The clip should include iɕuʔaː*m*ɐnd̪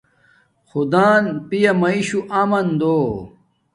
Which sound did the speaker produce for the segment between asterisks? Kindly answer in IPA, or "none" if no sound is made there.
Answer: m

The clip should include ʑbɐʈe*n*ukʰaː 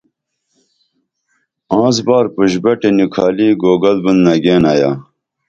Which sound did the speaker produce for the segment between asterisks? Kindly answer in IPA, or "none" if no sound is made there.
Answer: n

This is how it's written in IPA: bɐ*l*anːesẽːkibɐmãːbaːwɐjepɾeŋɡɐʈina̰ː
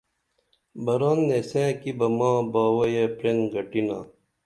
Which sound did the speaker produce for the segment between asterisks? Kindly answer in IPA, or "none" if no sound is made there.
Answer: ɾ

